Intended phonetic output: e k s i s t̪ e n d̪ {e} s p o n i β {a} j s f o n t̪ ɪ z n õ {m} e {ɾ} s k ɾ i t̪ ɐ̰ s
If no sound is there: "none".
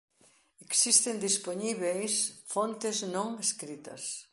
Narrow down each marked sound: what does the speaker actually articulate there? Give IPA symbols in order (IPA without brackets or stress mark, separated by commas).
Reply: i, e, ŋ, none